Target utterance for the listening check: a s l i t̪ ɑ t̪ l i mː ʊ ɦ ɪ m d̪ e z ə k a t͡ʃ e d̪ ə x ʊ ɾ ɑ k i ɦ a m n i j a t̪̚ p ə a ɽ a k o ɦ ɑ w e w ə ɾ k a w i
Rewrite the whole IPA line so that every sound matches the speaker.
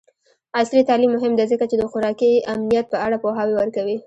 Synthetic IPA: a s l i t̪ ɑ l i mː ʊ ɦ ɪ m d̪ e z ə k a t͡ʃ e d̪ ə x ʊ ɾ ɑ k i a m n i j a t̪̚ p ə a ɽ a p o ɦ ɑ w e w ə ɾ k a w i